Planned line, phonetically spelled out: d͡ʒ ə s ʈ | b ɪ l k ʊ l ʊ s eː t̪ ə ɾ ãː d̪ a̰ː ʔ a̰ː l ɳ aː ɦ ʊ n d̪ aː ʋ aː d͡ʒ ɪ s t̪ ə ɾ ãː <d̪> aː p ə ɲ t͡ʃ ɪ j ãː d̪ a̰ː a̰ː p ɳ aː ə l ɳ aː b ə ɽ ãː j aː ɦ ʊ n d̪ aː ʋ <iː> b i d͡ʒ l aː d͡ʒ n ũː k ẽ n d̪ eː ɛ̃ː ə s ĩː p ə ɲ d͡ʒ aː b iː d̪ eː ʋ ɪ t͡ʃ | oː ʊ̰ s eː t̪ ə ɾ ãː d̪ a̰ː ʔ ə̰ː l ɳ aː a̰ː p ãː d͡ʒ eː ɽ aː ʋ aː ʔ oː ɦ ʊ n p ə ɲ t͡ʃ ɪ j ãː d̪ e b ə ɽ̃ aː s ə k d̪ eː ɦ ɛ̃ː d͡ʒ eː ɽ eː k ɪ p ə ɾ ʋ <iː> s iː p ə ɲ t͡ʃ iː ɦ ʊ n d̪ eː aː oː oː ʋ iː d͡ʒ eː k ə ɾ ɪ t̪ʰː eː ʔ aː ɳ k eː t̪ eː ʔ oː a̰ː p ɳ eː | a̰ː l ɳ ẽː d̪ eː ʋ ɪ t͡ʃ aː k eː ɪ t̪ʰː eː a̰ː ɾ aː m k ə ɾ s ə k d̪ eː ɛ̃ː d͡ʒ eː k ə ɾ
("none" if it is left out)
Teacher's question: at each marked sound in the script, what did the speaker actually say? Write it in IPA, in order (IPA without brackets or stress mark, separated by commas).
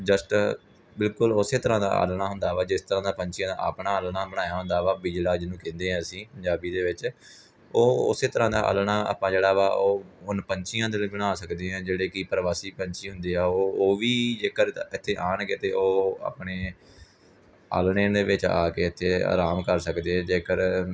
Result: d̪, aː, aː